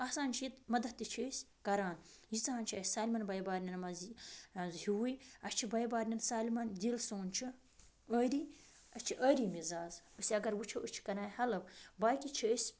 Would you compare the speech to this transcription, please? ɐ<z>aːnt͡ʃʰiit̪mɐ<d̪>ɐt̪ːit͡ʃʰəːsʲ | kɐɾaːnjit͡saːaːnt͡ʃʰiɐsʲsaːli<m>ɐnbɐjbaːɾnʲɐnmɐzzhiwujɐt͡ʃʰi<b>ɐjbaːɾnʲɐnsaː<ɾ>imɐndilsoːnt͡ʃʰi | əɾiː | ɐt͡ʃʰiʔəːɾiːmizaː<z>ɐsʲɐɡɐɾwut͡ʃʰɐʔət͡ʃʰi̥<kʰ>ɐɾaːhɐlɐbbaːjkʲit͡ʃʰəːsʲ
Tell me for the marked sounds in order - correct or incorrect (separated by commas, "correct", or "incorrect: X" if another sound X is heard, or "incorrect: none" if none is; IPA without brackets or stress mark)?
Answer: incorrect: s, correct, correct, correct, incorrect: l, correct, incorrect: k